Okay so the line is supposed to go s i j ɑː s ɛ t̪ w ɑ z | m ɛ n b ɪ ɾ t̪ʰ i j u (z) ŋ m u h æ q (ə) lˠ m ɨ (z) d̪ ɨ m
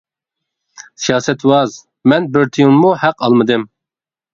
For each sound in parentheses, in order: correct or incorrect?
incorrect: none, incorrect: ɑ, incorrect: none

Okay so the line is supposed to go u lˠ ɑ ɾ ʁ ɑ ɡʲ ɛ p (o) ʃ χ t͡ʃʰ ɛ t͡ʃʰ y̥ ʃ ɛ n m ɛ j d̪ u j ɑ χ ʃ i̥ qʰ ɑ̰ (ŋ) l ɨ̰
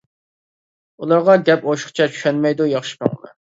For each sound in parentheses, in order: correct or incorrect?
correct, correct

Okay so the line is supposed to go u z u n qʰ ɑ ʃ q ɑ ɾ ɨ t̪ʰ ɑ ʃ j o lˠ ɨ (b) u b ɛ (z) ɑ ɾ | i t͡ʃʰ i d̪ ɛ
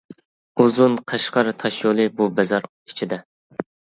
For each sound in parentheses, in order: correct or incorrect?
correct, correct

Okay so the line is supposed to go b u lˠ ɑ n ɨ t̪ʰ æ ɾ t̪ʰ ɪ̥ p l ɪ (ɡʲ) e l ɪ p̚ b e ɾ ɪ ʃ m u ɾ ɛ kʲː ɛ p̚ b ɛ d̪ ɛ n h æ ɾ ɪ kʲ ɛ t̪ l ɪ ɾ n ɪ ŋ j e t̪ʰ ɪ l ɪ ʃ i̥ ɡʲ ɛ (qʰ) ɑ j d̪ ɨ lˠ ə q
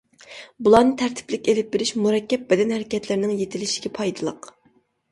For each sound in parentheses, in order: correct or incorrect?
incorrect: kʲ, incorrect: pʰ

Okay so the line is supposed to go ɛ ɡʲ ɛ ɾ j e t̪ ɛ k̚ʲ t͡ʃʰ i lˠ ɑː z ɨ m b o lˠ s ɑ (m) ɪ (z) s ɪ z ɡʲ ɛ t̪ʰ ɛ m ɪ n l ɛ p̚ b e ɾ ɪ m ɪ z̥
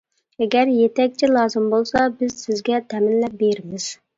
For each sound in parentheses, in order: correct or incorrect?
incorrect: b, correct

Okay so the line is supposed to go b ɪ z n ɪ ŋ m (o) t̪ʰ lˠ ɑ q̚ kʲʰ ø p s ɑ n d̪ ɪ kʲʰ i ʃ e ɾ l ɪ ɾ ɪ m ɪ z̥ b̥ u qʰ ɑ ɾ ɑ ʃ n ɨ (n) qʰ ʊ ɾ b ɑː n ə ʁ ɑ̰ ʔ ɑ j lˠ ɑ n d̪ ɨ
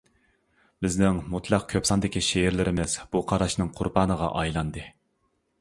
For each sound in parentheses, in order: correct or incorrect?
incorrect: u, incorrect: ŋ

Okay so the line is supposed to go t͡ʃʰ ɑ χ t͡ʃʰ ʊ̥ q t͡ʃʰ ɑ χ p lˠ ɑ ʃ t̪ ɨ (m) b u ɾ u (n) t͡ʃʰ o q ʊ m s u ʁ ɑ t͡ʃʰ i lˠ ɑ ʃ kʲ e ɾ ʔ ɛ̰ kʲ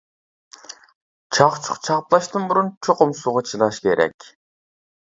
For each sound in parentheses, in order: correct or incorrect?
incorrect: n, correct

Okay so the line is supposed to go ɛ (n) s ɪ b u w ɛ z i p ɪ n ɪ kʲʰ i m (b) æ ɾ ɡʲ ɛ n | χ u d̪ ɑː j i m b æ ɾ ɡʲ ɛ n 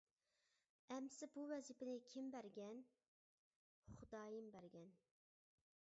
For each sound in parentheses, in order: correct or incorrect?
incorrect: m, correct

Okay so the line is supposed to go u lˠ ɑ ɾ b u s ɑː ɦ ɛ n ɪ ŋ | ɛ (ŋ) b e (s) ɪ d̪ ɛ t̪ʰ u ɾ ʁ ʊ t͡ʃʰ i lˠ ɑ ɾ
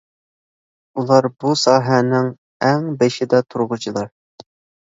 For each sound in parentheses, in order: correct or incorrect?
correct, incorrect: ʃ

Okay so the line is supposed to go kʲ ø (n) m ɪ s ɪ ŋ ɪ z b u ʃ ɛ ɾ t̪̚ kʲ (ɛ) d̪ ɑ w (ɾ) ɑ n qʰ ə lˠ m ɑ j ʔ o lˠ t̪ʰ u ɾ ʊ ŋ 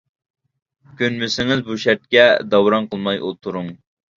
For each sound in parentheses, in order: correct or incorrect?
correct, correct, correct

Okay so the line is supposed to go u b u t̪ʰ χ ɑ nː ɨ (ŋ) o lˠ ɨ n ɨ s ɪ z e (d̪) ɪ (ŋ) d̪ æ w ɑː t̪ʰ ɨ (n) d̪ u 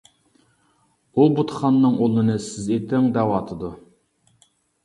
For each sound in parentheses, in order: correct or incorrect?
correct, incorrect: t̪, correct, incorrect: none

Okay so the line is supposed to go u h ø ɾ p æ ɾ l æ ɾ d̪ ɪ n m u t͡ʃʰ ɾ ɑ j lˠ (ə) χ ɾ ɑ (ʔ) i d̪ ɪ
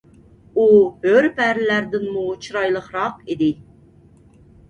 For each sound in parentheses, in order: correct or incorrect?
correct, incorrect: q

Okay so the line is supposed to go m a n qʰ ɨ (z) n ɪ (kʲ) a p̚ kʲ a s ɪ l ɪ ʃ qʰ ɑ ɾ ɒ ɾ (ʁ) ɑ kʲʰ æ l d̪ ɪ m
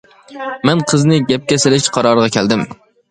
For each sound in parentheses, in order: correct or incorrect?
correct, incorrect: ɡʲ, correct

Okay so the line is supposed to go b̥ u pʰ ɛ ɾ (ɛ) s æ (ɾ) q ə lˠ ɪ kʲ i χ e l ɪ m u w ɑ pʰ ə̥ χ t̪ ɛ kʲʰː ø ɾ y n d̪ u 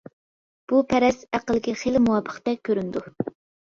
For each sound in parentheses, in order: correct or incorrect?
correct, incorrect: none

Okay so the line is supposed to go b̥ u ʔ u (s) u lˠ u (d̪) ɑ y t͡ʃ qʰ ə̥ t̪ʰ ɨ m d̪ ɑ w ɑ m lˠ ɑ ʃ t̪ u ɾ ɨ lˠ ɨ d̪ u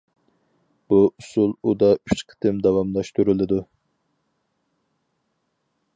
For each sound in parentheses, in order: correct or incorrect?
correct, correct

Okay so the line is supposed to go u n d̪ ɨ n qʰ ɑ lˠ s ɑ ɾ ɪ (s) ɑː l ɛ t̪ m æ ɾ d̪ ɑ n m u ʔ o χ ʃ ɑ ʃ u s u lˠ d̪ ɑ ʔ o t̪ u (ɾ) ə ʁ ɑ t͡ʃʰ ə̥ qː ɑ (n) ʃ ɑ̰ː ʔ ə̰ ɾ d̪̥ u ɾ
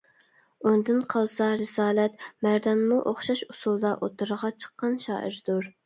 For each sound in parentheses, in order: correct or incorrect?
correct, correct, correct

